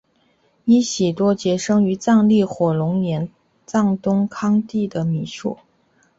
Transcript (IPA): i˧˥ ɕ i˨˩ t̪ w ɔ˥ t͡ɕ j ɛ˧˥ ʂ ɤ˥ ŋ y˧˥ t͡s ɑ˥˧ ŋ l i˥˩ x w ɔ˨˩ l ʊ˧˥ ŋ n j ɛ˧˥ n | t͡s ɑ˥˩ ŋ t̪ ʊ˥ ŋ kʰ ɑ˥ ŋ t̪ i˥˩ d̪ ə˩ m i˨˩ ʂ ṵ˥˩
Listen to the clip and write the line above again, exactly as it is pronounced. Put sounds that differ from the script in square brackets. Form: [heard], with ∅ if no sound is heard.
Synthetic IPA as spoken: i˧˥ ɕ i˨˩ t̪ w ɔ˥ t͡ɕ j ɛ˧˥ ʂ ɤ˥ ŋ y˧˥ t͡s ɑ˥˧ ŋ l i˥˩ x w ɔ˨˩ l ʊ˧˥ ŋ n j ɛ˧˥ n | t͡s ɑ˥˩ ŋ t̪ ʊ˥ ŋ kʰ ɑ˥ ŋ t̪ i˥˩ d̪ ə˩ m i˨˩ ʂ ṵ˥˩